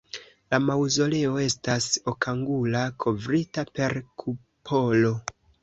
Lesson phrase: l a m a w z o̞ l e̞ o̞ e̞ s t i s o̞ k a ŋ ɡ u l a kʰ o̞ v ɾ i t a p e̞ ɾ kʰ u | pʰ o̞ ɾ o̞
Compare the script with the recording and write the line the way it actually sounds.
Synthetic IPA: l a m a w z o̞ l e̞ o̞ e̞ s t a s o̞ k a ŋ ɡ u l a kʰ o̞ v ɾ i t a p e̞ ɾ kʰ u | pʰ o̞ l o̞